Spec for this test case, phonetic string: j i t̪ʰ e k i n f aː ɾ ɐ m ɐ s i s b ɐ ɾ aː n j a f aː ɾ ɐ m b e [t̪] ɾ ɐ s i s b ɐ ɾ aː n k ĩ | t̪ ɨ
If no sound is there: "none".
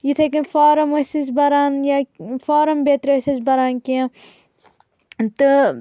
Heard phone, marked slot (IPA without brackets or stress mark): t̪